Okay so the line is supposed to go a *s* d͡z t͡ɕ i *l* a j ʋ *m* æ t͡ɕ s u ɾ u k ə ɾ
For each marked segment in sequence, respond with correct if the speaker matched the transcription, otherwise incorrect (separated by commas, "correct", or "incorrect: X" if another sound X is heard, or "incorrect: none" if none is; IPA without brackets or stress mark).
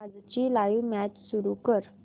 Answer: incorrect: none, correct, correct